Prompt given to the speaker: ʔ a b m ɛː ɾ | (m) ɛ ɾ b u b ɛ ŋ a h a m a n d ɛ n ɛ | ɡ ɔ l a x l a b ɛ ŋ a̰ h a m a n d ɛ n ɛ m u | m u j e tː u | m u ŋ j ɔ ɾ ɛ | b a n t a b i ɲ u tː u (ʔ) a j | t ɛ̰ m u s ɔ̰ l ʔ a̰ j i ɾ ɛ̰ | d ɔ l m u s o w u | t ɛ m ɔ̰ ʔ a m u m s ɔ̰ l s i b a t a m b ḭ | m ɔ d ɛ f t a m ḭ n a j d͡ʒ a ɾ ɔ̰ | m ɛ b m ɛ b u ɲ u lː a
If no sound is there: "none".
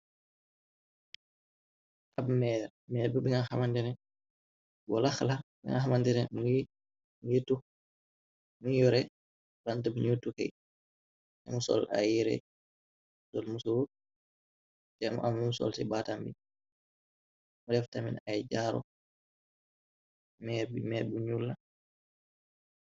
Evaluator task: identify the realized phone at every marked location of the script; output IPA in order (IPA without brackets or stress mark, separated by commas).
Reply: m, k